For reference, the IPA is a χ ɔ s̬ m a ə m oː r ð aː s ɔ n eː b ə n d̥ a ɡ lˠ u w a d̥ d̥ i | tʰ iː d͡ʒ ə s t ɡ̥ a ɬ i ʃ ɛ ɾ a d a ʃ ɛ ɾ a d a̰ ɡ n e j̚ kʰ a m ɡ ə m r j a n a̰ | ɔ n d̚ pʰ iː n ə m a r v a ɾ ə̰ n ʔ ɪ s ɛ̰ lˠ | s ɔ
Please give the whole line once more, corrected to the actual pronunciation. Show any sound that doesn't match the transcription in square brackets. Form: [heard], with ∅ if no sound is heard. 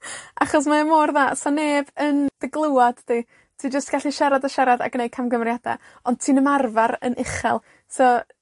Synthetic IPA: a χ ɔ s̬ m a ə m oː r ð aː s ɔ n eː b ə n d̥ [ə] ɡ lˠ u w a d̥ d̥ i | tʰ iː d͡ʒ ə s t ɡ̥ a ɬ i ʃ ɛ ɾ a d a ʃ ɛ ɾ a d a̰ ɡ n e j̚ kʰ a m ɡ ə m r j a [d] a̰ | ɔ n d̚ [tʰ] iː n ə m a r v a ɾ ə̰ n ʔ ɪ [χ] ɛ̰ lˠ | s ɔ